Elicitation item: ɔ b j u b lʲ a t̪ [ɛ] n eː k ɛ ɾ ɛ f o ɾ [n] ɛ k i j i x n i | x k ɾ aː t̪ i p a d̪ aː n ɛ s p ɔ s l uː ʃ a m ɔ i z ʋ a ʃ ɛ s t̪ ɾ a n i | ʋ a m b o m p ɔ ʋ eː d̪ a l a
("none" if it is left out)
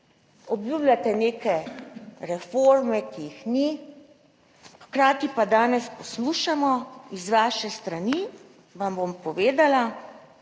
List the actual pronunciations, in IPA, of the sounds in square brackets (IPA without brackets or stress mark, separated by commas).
ɛ, m